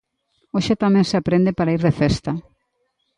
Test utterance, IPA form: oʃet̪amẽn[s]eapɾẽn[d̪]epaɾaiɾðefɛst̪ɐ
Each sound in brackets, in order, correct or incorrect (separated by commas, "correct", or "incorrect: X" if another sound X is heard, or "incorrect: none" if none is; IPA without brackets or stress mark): correct, correct